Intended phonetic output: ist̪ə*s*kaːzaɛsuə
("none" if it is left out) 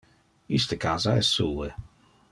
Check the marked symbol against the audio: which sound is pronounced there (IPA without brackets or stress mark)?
none